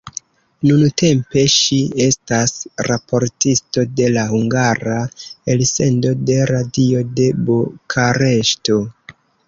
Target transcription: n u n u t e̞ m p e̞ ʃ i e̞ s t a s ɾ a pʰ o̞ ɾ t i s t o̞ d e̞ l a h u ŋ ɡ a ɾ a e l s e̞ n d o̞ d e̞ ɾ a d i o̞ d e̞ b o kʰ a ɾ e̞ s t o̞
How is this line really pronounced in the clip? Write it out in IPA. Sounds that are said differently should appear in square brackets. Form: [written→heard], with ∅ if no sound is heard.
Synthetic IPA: n u n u t e̞ m p e̞ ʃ i e̞ s t a s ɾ a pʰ o̞ ɾ t i s t o̞ d e̞ l a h u ŋ ɡ a ɾ a e l s e̞ n d o̞ d e̞ ɾ a d i o̞ d e̞ b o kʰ a ɾ e̞ [s→ʃ] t o̞